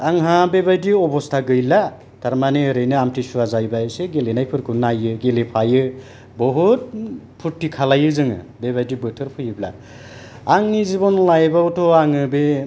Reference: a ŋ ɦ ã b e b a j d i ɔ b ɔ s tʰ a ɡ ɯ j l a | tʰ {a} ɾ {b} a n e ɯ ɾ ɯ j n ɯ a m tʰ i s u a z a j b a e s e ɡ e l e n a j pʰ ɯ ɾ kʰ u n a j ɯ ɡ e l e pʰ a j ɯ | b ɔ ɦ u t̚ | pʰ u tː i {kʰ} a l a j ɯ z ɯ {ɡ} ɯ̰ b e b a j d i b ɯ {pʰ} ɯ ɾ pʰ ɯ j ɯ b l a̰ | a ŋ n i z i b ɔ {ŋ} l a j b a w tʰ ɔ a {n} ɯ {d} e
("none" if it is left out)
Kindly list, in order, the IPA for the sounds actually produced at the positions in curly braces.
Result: a, m, kʰ, ŋ, tʰ, n, ŋ, b

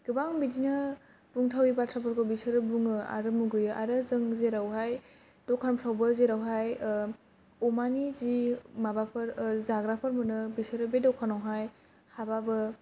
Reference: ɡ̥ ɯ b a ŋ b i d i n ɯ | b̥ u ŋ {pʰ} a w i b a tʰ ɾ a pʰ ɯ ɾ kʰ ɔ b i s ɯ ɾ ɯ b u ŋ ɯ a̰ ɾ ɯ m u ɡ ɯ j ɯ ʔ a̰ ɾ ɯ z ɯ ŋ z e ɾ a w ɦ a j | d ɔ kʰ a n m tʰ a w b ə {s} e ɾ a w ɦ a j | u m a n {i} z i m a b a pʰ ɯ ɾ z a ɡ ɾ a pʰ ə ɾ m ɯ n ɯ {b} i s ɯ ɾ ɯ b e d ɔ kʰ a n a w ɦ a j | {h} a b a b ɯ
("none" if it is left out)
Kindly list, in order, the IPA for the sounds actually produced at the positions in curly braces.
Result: tʰ, z, i, b, h

